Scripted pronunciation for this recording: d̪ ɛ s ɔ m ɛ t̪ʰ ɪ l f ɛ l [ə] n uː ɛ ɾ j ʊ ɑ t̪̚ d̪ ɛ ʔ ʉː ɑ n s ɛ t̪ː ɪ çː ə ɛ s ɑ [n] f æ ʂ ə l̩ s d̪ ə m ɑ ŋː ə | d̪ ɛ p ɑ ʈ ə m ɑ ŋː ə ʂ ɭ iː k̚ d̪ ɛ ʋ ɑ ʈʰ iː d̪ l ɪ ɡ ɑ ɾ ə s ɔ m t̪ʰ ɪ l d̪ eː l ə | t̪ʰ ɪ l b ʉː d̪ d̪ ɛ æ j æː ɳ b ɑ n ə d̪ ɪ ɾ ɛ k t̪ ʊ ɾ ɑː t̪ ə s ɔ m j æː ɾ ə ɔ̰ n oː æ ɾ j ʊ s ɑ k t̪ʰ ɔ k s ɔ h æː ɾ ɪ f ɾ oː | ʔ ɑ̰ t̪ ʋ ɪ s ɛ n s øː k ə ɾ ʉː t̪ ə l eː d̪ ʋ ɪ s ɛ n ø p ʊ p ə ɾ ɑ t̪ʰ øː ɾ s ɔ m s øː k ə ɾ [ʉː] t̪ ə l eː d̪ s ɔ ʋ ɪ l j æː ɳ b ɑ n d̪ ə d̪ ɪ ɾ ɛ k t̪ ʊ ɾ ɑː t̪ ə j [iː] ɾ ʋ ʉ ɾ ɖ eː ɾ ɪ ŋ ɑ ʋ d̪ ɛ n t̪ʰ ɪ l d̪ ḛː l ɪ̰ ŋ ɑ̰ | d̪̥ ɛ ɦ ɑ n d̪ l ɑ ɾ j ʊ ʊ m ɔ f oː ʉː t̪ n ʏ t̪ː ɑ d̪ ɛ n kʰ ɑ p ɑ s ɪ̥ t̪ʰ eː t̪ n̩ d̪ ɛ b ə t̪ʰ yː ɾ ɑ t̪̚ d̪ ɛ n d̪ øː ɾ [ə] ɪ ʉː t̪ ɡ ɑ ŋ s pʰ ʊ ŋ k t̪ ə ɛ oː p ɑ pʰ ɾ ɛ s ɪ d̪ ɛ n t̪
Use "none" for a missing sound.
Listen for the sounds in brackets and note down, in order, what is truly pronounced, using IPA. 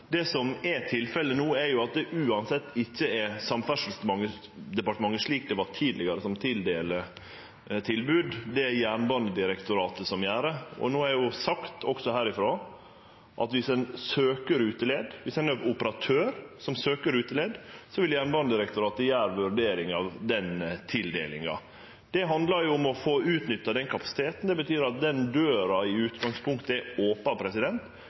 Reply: ə, m, ʉː, æː, ɑ

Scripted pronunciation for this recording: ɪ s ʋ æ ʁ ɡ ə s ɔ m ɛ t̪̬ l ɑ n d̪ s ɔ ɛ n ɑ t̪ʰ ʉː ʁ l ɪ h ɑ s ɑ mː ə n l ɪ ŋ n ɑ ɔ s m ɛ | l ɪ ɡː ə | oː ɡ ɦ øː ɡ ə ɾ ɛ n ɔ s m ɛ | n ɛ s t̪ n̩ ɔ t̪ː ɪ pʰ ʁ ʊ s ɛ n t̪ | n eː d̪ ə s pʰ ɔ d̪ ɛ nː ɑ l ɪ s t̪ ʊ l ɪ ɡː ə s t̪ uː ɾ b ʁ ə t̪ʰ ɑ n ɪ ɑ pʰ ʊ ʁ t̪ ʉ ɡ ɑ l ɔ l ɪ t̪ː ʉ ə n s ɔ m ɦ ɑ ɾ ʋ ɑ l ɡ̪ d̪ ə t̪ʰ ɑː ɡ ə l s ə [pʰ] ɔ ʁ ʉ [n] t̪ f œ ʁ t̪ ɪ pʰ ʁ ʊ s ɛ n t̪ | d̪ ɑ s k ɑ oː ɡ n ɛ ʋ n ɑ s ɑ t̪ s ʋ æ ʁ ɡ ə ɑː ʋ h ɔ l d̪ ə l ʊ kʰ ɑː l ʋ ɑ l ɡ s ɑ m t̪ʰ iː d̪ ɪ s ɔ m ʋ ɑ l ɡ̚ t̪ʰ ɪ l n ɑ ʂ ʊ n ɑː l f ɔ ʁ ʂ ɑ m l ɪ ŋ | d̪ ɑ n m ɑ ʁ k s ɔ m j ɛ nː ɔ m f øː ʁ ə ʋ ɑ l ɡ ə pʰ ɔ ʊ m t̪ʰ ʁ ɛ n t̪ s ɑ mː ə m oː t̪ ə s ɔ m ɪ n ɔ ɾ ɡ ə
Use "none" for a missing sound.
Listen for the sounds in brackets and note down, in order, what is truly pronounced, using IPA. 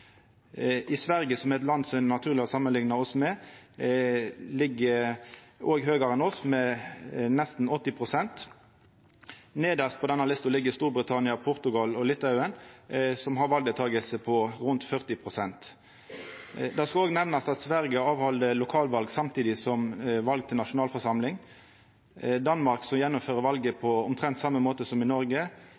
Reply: pʰ, n

